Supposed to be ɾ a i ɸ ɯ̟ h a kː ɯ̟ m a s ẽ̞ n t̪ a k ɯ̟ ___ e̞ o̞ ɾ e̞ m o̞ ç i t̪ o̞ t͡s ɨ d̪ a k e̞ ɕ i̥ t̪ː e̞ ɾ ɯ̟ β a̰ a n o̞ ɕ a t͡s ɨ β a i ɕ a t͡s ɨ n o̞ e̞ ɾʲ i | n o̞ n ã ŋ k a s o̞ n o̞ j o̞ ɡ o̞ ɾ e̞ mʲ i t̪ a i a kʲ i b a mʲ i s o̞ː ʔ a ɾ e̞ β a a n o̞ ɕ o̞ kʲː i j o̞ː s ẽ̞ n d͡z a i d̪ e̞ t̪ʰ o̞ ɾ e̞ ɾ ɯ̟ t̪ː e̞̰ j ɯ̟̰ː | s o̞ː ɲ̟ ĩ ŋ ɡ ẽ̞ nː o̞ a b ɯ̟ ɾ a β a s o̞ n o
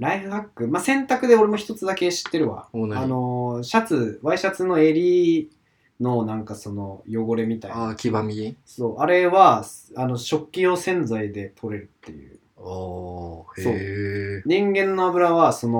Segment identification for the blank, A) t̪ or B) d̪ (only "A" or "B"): B